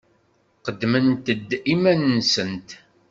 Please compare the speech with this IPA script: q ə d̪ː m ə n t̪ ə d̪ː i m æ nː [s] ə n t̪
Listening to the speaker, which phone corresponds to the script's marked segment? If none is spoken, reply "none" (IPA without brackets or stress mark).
s